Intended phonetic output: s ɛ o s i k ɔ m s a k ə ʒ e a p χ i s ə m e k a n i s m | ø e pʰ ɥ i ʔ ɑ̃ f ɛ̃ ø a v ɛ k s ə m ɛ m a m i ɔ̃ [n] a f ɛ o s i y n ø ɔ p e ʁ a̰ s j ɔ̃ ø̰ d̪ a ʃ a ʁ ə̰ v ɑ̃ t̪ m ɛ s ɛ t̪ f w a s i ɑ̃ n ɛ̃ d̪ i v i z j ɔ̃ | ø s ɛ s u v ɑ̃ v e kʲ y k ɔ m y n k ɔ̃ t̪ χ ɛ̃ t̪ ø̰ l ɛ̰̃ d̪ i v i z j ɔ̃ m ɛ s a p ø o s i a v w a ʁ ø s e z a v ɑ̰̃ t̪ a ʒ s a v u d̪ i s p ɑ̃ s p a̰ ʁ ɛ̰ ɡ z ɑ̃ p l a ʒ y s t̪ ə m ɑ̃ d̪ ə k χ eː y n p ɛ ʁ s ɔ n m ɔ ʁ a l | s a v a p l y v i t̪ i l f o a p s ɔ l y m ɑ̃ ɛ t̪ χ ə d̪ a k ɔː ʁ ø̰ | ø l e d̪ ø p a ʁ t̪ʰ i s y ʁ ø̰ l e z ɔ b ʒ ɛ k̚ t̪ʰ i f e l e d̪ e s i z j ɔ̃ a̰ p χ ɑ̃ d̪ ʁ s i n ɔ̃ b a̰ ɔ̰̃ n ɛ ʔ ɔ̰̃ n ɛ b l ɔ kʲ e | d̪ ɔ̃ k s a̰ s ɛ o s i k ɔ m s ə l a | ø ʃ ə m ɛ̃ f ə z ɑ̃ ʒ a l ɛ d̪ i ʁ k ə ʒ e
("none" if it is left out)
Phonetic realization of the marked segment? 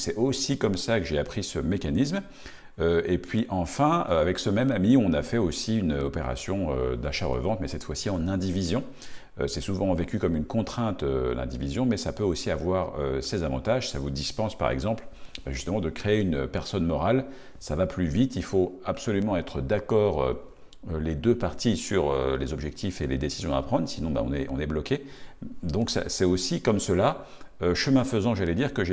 n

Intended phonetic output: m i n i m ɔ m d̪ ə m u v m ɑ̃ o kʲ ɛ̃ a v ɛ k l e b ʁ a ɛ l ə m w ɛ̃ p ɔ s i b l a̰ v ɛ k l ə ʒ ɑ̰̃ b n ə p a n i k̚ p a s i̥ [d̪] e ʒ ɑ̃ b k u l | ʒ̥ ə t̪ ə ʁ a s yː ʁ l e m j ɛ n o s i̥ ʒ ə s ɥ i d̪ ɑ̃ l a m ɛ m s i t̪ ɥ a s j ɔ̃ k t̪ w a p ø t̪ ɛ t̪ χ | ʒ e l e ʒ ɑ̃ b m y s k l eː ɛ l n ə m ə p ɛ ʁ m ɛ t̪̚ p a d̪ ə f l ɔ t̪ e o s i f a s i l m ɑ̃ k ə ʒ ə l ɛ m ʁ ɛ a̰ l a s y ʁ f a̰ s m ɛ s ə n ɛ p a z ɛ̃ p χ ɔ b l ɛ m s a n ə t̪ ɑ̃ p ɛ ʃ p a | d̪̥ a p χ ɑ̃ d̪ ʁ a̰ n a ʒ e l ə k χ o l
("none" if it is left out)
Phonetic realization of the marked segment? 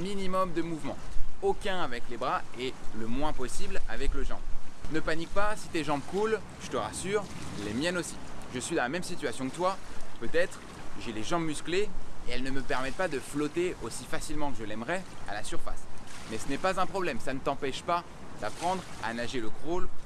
t̪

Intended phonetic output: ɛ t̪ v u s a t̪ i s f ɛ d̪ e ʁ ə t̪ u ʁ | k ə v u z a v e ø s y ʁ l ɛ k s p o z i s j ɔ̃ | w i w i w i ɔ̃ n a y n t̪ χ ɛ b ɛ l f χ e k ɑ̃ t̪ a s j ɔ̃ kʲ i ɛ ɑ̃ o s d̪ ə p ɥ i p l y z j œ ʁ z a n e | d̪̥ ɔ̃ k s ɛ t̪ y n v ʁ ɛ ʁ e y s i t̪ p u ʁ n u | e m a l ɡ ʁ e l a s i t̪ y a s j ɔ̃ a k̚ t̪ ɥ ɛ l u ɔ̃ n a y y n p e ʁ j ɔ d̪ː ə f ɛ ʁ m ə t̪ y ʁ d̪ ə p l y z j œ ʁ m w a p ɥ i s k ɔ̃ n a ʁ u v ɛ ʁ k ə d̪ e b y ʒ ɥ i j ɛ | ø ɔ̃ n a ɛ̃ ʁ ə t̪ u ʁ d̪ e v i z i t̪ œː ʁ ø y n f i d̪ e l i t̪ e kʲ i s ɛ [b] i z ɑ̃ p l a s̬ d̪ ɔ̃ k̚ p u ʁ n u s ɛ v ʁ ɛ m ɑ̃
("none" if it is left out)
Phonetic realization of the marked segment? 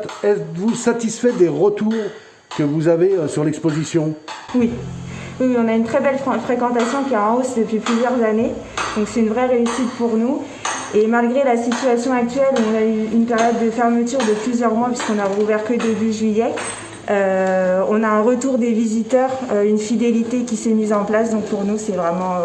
m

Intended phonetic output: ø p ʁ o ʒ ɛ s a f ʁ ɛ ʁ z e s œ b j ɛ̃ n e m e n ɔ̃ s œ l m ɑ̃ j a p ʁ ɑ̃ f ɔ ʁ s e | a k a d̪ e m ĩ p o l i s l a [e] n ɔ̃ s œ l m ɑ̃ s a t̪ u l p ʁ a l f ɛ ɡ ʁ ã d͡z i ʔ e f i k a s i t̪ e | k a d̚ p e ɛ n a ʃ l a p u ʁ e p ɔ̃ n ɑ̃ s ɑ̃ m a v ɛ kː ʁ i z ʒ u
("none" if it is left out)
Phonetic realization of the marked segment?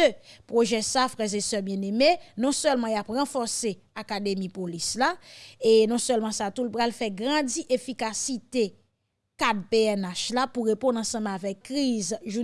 e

